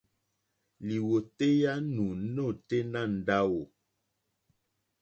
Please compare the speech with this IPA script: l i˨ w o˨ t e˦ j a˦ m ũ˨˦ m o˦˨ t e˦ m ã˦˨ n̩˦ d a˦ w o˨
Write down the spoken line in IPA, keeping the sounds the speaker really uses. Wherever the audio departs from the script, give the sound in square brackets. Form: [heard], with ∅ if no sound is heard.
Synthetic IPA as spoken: l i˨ w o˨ t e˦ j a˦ [n] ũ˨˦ [n] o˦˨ t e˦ [n] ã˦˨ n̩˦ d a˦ w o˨

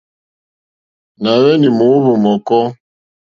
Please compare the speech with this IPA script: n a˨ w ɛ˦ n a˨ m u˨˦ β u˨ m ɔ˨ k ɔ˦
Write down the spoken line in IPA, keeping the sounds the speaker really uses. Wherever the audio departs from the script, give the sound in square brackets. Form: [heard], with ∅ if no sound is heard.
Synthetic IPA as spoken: n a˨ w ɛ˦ n [i˨] m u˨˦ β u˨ m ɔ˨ k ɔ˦

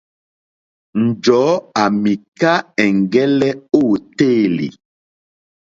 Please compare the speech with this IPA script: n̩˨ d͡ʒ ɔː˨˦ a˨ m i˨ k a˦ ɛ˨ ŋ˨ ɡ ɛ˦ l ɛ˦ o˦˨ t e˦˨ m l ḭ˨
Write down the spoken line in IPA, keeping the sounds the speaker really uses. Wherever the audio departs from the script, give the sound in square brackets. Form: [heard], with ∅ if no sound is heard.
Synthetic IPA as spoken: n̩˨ d͡ʒ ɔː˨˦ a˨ m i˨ k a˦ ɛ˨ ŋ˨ ɡ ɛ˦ l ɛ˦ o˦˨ t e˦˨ [∅] l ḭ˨

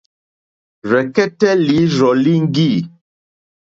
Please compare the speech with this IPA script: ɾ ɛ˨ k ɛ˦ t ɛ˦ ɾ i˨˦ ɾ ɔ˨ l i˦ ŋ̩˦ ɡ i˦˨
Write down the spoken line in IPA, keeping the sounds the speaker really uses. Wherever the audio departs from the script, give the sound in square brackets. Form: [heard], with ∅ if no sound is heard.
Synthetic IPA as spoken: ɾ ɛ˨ k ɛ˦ t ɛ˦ [l] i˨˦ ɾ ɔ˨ l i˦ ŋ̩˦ ɡ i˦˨

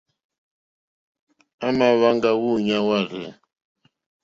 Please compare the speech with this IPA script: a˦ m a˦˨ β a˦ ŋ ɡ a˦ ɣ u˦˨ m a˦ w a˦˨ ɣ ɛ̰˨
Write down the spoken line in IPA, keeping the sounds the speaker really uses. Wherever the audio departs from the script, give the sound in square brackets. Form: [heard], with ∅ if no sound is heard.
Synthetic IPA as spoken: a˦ m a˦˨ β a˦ ŋ ɡ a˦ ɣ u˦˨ [ɲ] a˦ w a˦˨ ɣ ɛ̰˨

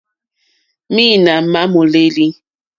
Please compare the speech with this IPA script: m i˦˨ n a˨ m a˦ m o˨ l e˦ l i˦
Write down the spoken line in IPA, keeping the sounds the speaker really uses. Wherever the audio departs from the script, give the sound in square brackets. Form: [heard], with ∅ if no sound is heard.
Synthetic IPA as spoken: m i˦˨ n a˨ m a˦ m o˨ l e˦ l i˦

